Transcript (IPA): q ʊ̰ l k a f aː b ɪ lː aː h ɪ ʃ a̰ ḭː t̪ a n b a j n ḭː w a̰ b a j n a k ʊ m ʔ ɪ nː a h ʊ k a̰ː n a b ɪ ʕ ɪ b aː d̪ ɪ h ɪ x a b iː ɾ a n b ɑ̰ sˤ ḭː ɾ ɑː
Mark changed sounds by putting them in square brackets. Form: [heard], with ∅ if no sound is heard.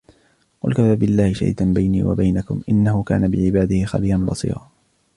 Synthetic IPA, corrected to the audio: q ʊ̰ l k a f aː b ɪ lː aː h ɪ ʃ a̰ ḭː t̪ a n b a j n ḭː w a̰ b a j n a k ʊ m ʔ ɪ nː a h ʊ k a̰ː n a b ɪ ʕ ɪ b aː d̪ ɪ h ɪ x a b iː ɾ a n b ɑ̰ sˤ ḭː ɾ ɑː

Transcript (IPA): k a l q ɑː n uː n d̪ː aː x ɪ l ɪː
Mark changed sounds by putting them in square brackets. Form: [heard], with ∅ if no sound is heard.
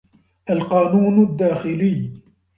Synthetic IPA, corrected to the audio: [ʔ] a l q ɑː n uː n d̪ː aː x ɪ l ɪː

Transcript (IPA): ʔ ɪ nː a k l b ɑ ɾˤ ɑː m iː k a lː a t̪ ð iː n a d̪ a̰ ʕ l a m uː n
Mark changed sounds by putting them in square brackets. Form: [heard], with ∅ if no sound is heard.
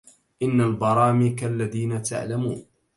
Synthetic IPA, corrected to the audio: ʔ ɪ nː a [∅] l b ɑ ɾˤ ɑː m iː k a lː a [∅] ð iː n a [t̪] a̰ ʕ l a m uː n

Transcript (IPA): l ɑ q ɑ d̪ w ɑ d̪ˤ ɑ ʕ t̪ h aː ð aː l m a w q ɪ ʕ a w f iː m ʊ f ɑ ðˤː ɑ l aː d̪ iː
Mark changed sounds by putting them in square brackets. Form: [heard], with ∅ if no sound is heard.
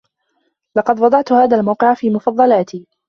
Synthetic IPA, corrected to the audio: l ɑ q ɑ d̪ w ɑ d̪ˤ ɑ ʕ t̪ h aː ð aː l m a w q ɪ ʕ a [∅] f iː m ʊ f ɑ ðˤː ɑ l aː [t̪] iː

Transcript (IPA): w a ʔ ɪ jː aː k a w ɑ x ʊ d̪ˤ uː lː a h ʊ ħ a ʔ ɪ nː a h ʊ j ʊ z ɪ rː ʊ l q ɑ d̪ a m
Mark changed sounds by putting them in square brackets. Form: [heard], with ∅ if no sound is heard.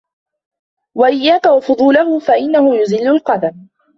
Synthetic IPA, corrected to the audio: w a ʔ ɪ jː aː k a w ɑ [f] ʊ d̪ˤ uː [l] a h ʊ [f] a ʔ ɪ nː a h ʊ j ʊ z ɪ [lː] ʊ l q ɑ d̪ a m

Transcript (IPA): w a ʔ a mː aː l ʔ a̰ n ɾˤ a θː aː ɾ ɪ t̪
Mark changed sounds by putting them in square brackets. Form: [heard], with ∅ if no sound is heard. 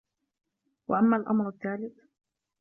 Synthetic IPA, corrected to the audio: w a ʔ a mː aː l ʔ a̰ [m] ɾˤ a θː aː [l] ɪ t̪

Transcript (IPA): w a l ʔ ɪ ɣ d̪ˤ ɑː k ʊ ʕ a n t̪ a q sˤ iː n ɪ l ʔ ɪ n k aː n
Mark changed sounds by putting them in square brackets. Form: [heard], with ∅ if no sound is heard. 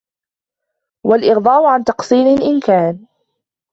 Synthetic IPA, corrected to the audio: w a l ʔ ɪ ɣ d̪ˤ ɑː [ʔ] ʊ ʕ a n t̪ [ɑ] q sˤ iː n ɪ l ʔ ɪ n k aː n

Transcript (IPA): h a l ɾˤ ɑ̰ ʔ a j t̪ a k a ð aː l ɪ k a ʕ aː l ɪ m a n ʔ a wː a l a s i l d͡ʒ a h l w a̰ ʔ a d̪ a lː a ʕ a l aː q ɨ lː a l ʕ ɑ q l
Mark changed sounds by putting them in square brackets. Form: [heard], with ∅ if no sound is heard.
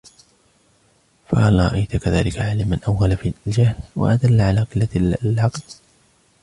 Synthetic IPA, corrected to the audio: [f] a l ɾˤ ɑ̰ ʔ a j t̪ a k a ð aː l ɪ k a ʕ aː l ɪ m a n ʔ a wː a l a [f] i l d͡ʒ a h l w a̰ ʔ a d̪ a lː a ʕ a l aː q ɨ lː a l ʕ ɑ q l

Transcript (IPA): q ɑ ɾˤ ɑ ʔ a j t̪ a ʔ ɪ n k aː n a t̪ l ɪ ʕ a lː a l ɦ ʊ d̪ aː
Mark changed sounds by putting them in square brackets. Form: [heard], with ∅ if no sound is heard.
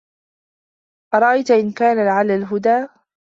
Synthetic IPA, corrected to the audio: [ʔ] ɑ ɾˤ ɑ ʔ a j t̪ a ʔ ɪ n k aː n a [∅] l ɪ ʕ a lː a l ɦ ʊ d̪ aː

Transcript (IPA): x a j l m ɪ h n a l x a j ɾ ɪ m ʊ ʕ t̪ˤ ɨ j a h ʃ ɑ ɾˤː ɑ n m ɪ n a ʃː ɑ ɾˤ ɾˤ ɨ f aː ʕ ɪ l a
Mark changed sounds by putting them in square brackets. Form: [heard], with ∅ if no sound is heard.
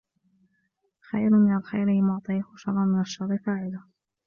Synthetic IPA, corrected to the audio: x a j [ɾ] m ɪ [∅] n a l x a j ɾ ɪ m ʊ ʕ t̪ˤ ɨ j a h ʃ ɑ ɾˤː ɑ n m ɪ n a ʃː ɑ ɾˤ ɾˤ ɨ f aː ʕ ɪ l a

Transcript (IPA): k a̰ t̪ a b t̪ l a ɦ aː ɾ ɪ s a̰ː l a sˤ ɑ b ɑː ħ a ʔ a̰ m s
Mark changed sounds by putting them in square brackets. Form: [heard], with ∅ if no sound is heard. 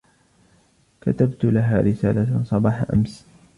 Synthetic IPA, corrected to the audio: k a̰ t̪ a b t̪ l a ɦ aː ɾ ɪ s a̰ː l a sˤ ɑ b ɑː ħ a ʔ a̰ m s

